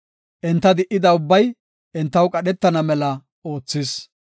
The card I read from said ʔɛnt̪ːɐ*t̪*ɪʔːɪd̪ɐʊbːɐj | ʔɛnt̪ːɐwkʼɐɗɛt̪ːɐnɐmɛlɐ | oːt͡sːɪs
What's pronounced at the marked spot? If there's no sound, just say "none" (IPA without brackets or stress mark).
d̪